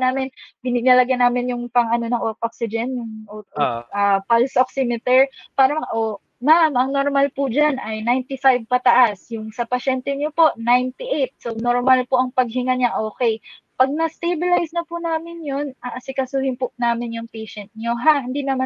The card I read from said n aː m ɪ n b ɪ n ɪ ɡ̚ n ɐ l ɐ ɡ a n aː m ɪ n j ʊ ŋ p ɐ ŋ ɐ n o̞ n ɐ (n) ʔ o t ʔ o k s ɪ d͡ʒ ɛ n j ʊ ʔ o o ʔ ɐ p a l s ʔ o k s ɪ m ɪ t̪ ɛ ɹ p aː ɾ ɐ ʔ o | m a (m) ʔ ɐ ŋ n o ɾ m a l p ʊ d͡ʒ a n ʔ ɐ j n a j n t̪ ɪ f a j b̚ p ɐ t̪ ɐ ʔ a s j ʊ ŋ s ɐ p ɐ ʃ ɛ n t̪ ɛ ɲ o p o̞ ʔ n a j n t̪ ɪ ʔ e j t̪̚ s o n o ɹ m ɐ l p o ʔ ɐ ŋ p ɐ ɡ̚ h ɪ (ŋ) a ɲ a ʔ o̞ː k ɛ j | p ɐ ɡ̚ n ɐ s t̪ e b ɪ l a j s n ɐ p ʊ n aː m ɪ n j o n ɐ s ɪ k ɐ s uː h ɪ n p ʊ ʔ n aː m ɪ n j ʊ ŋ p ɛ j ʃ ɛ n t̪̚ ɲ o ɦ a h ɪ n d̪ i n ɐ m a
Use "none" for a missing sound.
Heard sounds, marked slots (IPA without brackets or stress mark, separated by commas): ŋ, m, ŋ